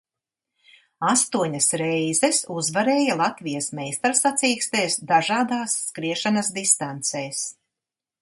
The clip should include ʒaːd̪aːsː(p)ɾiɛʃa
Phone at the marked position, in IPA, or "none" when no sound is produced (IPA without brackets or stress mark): k